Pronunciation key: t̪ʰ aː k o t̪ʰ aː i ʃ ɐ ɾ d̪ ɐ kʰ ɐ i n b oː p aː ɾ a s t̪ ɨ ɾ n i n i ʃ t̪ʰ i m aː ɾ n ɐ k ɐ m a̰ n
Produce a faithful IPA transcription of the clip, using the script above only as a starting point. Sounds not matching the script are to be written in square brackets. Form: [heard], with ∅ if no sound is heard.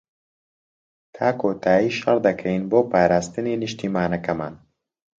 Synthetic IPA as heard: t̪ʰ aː k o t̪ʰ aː i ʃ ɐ ɾ d̪ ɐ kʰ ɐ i n b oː p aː ɾ a s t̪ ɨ [∅] n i n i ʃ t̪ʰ i m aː [∅] n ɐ k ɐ m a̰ n